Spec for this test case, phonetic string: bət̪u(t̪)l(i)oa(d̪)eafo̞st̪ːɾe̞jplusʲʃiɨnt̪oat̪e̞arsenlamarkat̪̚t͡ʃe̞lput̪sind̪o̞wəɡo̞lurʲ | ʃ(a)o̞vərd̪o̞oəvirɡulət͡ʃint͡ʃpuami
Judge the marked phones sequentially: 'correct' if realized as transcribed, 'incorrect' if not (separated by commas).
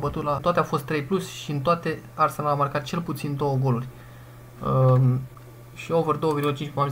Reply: correct, incorrect, incorrect, incorrect